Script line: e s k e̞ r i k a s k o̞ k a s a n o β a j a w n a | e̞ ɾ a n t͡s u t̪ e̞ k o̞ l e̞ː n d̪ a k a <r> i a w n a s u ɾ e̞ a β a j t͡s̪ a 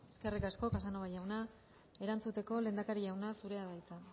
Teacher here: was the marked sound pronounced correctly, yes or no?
no